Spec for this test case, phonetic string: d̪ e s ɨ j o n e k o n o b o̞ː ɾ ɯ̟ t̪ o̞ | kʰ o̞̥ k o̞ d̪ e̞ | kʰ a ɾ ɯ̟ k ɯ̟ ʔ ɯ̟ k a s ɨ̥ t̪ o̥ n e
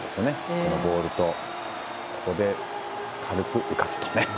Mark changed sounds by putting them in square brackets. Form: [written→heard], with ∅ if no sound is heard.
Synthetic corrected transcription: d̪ e s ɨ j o n e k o n o b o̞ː ɾ ɯ̟ t̪ o̞ | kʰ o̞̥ k o̞ d̪ e̞ | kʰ a ɾ ɯ̟ k ɯ̟ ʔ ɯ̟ k a s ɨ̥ t̪ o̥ n e